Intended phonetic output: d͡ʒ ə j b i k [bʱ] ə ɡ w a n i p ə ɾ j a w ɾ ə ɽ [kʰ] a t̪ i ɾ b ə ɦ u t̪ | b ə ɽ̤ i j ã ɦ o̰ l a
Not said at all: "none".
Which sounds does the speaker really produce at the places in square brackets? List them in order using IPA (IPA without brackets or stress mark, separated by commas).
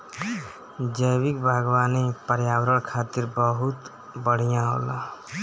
bʱ, kʰ